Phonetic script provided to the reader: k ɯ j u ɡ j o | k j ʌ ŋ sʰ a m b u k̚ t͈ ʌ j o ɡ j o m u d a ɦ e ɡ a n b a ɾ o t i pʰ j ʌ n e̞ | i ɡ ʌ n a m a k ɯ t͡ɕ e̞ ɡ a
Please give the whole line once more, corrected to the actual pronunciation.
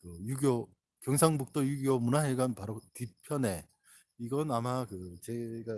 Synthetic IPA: k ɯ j u ɡ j o | k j ʌ ŋ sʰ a ŋ b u k̚ t͈ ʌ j u ɡ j o m u n a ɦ e ɡ a n p a ɾ o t i pʰ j ʌ n e̞ | i ɡ ʌ n a m a k ɯ t͡ɕ e̞ ɡ a